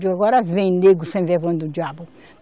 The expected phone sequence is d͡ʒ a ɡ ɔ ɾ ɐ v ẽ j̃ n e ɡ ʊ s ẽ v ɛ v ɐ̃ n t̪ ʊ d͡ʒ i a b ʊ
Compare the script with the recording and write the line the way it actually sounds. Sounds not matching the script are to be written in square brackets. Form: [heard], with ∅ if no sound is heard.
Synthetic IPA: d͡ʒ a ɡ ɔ ɾ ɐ v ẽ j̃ n e ɡ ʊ s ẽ v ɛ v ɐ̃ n [d̪] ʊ d͡ʒ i a b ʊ